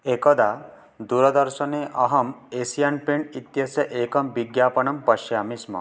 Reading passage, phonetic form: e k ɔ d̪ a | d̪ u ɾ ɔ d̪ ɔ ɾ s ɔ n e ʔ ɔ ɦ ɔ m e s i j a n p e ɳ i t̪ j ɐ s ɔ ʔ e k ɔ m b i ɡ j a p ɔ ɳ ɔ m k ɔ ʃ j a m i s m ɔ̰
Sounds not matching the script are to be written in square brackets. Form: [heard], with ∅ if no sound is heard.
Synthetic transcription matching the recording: e k ɔ d̪ a | d̪ u ɾ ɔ d̪ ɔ ɾ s ɔ n e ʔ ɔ ɦ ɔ m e s i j a n p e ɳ i t̪ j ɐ s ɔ ʔ e k ɔ m b i ɡ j a p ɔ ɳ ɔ m [p] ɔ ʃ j a m i s m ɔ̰